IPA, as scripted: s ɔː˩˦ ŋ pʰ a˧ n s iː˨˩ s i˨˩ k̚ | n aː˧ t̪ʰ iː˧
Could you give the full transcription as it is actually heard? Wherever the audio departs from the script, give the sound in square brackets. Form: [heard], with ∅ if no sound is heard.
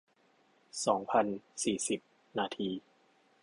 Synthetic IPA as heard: s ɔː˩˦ ŋ pʰ a˧ n s iː˨˩ s i˨˩ [p̚] | n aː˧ t̪ʰ iː˧